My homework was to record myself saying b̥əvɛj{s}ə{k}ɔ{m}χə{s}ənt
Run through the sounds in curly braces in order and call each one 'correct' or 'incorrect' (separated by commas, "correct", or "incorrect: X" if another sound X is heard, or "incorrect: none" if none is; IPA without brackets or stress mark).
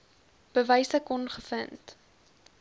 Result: correct, correct, incorrect: n, incorrect: f